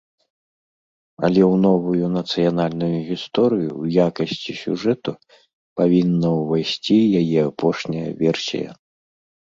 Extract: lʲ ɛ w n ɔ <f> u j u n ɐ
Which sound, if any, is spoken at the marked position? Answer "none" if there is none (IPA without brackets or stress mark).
v